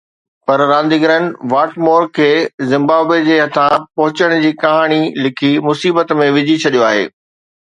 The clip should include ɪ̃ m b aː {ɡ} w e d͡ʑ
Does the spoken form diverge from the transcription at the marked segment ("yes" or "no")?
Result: yes